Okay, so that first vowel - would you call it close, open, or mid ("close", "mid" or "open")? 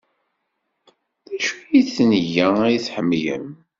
open